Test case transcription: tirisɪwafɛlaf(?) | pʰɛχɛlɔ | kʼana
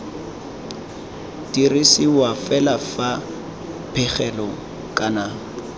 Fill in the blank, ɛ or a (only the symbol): a